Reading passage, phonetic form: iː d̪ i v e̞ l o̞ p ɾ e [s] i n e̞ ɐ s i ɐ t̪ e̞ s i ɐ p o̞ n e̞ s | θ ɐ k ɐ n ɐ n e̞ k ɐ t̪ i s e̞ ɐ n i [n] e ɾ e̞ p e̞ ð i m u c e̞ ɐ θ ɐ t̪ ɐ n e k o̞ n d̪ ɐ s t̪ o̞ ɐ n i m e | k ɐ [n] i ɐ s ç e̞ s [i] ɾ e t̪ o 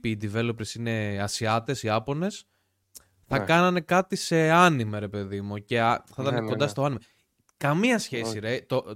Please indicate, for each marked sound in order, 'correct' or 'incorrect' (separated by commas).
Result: correct, incorrect, incorrect, correct